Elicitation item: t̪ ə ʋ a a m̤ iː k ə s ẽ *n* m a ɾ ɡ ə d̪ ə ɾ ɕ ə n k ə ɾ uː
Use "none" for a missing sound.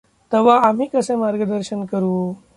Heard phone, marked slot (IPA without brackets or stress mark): none